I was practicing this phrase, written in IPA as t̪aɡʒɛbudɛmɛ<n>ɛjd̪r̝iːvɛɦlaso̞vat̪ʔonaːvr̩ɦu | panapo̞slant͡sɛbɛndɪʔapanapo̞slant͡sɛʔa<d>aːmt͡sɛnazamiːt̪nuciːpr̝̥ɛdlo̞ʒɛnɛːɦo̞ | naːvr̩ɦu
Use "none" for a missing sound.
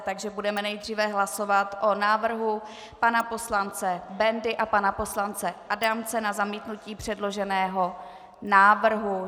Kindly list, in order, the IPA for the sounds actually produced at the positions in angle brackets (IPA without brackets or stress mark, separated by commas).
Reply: n, d